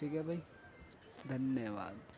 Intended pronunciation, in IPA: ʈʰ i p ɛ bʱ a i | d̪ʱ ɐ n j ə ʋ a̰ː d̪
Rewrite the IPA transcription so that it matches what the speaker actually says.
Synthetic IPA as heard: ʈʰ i k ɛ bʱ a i | d̪ʱ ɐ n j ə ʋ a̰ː d̪